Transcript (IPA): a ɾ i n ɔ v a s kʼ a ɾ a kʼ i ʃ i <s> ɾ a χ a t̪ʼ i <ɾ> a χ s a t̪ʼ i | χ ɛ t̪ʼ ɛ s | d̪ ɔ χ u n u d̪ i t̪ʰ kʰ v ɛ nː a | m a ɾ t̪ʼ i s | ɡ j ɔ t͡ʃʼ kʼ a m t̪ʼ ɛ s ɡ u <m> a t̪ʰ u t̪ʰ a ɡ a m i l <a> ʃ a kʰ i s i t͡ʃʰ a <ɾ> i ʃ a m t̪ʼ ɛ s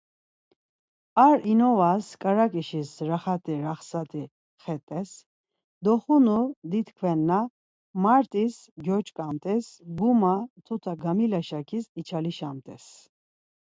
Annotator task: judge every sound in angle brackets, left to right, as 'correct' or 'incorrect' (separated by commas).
correct, correct, correct, correct, incorrect